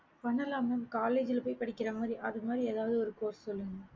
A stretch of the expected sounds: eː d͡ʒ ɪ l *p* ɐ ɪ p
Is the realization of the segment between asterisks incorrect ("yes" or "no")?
no